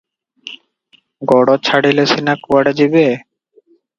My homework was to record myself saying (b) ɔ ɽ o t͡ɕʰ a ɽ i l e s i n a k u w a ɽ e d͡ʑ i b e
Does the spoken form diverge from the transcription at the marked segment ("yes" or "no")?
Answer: yes